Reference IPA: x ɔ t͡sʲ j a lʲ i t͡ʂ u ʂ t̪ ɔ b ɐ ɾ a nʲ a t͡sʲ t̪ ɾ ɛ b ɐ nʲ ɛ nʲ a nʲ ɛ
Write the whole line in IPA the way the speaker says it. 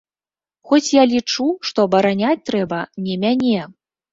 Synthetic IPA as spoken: x ɔ t͡sʲ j a lʲ i t͡ʂ u ʂ t̪ ɔ b ɐ ɾ a nʲ a t͡sʲ t̪ ɾ ɛ b ɐ nʲ ɛ mʲ a nʲ ɛ